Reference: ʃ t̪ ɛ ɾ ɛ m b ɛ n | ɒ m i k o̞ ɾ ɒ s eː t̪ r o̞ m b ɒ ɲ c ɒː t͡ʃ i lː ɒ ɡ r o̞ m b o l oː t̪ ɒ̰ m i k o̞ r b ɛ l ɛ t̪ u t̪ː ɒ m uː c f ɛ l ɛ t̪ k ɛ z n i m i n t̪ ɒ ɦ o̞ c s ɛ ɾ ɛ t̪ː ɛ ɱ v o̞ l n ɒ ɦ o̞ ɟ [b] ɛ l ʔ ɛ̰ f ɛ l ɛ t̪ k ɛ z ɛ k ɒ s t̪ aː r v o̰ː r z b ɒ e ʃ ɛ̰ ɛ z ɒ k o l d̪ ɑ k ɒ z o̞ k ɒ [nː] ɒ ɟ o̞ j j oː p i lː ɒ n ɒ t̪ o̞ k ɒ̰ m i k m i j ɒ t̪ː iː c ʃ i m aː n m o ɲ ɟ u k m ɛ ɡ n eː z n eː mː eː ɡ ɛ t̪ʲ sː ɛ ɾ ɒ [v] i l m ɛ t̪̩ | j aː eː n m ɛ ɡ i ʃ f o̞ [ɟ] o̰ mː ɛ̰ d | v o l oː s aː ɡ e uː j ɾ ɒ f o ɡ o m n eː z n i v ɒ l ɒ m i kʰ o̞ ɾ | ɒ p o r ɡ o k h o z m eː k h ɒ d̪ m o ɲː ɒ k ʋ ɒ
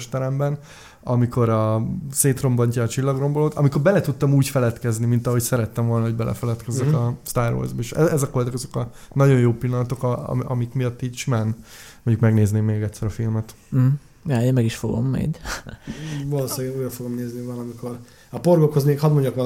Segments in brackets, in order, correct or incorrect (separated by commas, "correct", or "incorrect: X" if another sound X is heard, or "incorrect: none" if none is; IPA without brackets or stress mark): correct, incorrect: n, incorrect: f, incorrect: ɡ